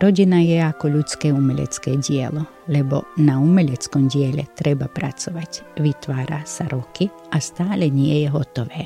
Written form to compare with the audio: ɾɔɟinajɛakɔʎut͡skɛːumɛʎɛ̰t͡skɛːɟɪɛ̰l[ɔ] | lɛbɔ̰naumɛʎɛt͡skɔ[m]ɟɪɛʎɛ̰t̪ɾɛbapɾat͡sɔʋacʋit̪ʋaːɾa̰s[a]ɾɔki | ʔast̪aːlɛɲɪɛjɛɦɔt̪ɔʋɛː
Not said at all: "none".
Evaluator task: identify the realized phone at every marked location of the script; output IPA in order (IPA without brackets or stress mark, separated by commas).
ɔ, m, a